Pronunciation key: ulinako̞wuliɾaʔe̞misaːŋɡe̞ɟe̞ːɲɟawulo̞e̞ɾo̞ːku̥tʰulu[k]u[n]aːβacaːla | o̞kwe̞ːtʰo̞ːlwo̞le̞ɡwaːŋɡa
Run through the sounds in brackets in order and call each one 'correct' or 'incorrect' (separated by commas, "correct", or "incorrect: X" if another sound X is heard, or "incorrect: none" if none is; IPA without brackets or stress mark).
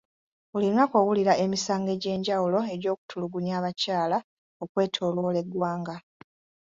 incorrect: ɡ, incorrect: ɲ